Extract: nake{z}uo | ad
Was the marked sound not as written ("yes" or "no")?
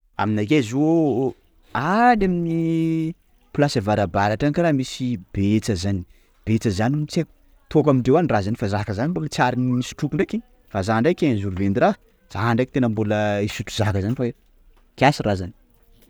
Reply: no